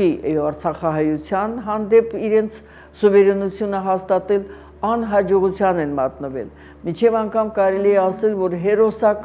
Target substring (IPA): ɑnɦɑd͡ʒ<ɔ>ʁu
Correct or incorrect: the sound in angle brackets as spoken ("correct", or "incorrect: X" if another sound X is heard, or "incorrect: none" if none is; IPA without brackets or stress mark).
correct